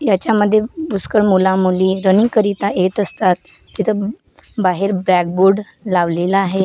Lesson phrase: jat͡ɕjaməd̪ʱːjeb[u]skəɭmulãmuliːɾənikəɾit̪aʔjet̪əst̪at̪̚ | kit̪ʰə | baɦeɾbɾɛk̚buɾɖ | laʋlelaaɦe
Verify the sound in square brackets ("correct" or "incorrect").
correct